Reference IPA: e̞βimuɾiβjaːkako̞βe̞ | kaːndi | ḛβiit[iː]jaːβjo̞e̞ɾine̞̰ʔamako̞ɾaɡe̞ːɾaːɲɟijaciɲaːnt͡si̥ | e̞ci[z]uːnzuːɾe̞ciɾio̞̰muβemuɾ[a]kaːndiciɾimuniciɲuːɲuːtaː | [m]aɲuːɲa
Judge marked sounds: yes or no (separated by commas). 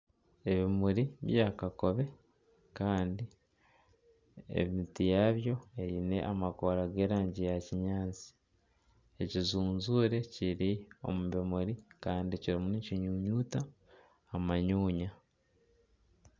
no, yes, no, yes